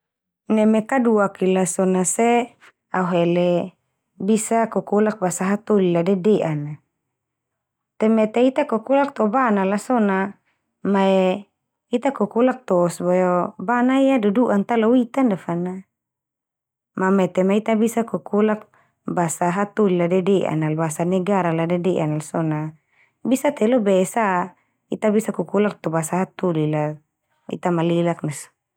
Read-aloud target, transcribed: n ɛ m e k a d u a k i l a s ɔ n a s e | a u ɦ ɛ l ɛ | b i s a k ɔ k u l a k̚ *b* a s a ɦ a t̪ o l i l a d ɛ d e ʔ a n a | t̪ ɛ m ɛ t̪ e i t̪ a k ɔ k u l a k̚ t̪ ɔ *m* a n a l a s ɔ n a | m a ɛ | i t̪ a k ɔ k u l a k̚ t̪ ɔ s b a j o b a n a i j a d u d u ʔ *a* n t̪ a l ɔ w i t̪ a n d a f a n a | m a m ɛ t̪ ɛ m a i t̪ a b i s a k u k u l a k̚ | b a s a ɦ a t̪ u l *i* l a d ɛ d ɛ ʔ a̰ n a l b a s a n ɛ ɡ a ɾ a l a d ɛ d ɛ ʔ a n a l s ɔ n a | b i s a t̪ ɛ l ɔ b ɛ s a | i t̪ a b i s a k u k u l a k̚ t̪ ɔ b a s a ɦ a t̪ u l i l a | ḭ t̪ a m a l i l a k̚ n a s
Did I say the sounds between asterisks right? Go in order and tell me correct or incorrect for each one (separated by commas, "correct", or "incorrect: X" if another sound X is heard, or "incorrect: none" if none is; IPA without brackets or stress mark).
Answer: correct, incorrect: b, correct, correct